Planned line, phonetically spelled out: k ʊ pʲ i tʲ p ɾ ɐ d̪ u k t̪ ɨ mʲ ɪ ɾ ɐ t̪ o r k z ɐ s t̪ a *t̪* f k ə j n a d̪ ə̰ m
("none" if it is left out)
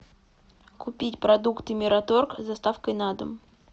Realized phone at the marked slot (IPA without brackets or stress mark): none